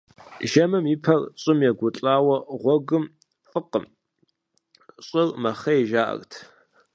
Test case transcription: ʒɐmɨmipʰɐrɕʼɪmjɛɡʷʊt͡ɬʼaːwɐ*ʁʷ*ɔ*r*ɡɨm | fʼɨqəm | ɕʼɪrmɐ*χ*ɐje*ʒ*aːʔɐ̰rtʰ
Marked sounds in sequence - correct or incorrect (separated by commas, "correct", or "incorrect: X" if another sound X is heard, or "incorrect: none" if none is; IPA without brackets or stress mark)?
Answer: correct, incorrect: none, correct, correct